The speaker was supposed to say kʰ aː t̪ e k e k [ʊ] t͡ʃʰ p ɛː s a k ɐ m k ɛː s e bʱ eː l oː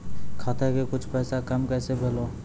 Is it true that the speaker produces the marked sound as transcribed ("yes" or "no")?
yes